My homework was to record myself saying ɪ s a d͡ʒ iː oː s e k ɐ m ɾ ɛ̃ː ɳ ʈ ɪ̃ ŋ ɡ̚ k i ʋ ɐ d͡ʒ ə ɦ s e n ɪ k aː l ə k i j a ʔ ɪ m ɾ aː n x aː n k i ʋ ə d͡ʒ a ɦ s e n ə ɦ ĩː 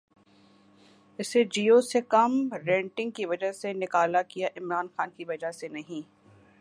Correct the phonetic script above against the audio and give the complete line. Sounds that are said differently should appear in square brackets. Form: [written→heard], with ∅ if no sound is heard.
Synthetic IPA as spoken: ɪ s [a→e] d͡ʒ iː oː s e k ɐ m ɾ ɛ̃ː ɳ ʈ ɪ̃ ŋ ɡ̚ k i ʋ ɐ d͡ʒ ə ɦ s e n ɪ k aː l [ə→a] k i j a ʔ ɪ m ɾ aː n x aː n k i ʋ [ə→ɐ] d͡ʒ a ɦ s e n [ə→ɐ] ɦ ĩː